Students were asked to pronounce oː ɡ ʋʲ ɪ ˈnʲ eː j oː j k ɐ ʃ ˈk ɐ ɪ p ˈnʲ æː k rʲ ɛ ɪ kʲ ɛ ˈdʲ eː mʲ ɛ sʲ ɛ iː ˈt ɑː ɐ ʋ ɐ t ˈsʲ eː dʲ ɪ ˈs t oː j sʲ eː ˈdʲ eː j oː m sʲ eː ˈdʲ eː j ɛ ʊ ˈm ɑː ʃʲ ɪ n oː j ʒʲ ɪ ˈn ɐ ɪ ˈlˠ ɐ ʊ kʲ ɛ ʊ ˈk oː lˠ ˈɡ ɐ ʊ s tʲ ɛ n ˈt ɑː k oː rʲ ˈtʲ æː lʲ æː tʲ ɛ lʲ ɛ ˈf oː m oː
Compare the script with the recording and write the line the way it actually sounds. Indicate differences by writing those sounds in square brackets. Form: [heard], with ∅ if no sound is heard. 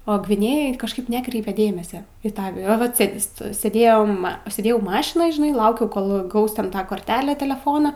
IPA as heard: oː ɡ ʋʲ ɪ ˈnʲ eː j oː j k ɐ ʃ ˈk ɐ ɪ p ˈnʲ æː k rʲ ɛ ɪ [pʲ] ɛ ˈdʲ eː mʲ ɛ sʲ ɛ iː ˈt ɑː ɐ ʋ ɐ t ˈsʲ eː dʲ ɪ ˈs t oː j sʲ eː ˈdʲ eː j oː m sʲ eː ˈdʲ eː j ɛ ʊ ˈm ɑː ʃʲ ɪ n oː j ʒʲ ɪ ˈn ɐ ɪ ˈlˠ ɐ ʊ kʲ ɛ ʊ ˈk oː lˠ ˈɡ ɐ ʊ s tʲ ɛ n ˈt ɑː k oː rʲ ˈtʲ æː lʲ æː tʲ ɛ lʲ ɛ ˈf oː [n] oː

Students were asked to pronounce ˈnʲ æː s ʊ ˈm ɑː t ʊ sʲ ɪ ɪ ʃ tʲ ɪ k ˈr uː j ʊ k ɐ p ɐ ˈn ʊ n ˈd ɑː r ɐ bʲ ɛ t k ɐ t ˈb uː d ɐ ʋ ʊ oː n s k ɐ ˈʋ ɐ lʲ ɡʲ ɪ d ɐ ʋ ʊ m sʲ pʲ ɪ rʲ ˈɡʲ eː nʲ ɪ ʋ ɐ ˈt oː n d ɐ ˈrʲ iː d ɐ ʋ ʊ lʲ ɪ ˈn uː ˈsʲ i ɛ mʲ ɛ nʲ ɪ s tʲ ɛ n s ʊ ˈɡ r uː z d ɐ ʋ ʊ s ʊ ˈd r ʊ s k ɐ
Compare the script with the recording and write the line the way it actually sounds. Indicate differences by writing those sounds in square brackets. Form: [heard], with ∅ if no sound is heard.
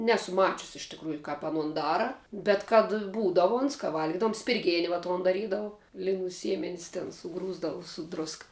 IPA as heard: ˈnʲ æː s ʊ ˈm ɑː [t͡ʃʲ] ʊ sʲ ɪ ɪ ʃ tʲ ɪ k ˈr uː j ʊ k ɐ p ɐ ˈn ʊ n ˈd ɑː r ɐ bʲ ɛ t k ɐ t ˈb uː d ɐ ʋ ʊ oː n s k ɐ ˈʋ ɐ lʲ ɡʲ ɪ d ɐ ʋ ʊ m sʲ pʲ ɪ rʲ ˈɡʲ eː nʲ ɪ ʋ ɐ ˈt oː n d ɐ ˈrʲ iː d ɐ ʋ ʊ lʲ ɪ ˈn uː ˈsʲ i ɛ mʲ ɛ nʲ ɪ s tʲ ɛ n s ʊ ˈɡ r uː z d ɐ ʋ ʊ s ʊ ˈd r ʊ s k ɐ

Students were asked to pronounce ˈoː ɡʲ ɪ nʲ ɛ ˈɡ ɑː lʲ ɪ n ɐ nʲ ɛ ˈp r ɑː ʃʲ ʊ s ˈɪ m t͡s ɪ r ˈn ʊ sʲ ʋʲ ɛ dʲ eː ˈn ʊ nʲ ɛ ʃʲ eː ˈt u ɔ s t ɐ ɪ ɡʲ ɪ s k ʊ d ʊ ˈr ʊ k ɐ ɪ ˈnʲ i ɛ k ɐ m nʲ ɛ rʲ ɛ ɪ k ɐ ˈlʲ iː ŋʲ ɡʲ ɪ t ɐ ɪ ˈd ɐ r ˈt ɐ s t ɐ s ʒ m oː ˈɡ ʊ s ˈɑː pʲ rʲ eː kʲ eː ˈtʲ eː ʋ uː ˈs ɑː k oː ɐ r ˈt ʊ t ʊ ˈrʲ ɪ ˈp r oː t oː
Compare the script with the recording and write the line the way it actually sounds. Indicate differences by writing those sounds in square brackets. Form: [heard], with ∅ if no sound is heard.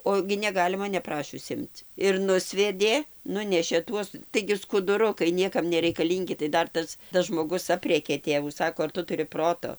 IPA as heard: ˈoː ɡʲ ɪ nʲ ɛ ˈɡ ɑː lʲ ɪ [m] ɐ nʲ ɛ ˈp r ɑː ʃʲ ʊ s ˈɪ m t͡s ɪ r ˈn ʊ sʲ ʋʲ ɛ dʲ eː ˈn ʊ nʲ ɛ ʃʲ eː ˈt u ɔ s t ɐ ɪ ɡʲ ɪ s k ʊ d ʊ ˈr ʊ k ɐ ɪ ˈnʲ i ɛ k ɐ m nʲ ɛ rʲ ɛ ɪ k ɐ ˈlʲ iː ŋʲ ɡʲ ɪ t ɐ ɪ ˈd ɐ r ˈt ɐ s t ɐ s ʒ m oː ˈɡ ʊ s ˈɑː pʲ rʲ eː kʲ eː ˈtʲ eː ʋ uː ˈs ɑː k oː ɐ r ˈt ʊ t ʊ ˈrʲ ɪ ˈp r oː t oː

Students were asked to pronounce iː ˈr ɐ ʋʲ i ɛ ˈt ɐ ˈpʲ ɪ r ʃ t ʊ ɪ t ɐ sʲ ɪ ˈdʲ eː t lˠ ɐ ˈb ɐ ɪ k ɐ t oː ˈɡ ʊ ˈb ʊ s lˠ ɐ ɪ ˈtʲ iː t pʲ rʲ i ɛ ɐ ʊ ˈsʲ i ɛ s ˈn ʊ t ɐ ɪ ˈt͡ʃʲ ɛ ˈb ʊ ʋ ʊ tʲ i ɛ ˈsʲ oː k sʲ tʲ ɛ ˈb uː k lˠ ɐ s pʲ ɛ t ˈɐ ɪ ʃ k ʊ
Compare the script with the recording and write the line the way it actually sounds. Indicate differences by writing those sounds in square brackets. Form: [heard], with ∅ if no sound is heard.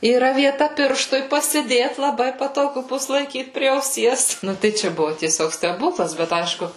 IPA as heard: iː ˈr ɐ ʋʲ i ɛ ˈt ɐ ˈpʲ ɪ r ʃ t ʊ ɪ [p] ɐ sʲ ɪ ˈdʲ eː t lˠ ɐ ˈb ɐ ɪ [p] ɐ t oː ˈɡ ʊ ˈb ʊ s lˠ ɐ ɪ [ˈkʲ] iː t pʲ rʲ i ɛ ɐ ʊ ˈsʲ i ɛ s ˈn ʊ t ɐ ɪ ˈt͡ʃʲ ɛ ˈb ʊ ʋ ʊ tʲ i ɛ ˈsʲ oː k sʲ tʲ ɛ ˈb uː k lˠ ɐ s [bʲ] ɛ t ˈɐ ɪ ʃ k ʊ

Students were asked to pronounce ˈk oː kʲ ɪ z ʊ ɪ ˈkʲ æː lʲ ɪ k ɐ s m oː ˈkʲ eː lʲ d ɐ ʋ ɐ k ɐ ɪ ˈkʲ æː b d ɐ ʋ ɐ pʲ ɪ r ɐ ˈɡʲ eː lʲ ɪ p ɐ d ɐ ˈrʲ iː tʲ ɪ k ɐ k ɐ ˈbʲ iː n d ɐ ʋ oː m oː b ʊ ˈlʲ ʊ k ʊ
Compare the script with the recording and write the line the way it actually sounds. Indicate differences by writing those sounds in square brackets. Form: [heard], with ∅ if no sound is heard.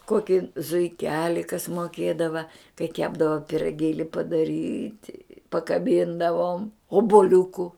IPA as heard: ˈk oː kʲ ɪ z ʊ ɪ ˈkʲ æː lʲ ɪ k ɐ s m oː ˈkʲ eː [∅] d ɐ ʋ ɐ k ɐ ɪ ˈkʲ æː b d ɐ ʋ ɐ pʲ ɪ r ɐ ˈɡʲ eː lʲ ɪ p ɐ d ɐ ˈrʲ iː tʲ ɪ [p] ɐ k ɐ ˈbʲ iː n d ɐ ʋ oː m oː b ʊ ˈlʲ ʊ k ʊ

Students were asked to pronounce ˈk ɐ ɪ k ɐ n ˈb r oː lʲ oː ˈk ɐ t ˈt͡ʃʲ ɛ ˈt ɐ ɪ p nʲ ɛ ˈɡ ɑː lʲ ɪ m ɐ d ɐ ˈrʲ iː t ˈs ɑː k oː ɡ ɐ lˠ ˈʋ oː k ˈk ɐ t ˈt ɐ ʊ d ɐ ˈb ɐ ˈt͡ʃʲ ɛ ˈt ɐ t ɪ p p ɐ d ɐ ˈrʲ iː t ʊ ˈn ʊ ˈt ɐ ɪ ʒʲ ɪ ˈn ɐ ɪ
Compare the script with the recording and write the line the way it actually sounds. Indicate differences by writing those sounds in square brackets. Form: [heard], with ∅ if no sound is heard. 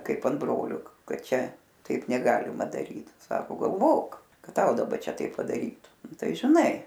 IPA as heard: ˈk ɐ ɪ [p] ɐ n ˈb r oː lʲ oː ˈk ɐ t ˈt͡ʃʲ ɛ ˈt ɐ ɪ p nʲ ɛ ˈɡ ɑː lʲ ɪ m ɐ d ɐ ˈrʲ iː t ˈs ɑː k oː ɡ ɐ lˠ ˈʋ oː k ˈk ɐ t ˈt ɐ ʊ d ɐ ˈb ɐ ˈt͡ʃʲ ɛ ˈt ɐ [∅] ɪ p p ɐ d ɐ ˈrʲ iː t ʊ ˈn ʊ ˈt ɐ ɪ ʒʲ ɪ ˈn ɐ ɪ

